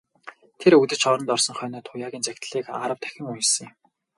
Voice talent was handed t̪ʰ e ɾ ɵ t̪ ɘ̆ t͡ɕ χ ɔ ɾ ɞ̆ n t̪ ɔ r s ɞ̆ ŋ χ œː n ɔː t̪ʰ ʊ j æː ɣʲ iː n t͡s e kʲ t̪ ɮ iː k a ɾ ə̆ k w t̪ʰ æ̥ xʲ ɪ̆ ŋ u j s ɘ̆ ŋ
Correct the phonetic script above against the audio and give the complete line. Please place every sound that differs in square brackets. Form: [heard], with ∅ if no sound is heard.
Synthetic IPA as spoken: t̪ʰ e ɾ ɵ t̪ ɘ̆ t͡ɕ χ ɔ ɾ ɞ̆ n t̪ ɔ r s ɞ̆ ŋ χ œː n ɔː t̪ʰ ʊ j [aː] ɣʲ iː n t͡s [æ] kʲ t̪ ɮ iː k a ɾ ə̆ [∅] w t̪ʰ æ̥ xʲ ɪ̆ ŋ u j s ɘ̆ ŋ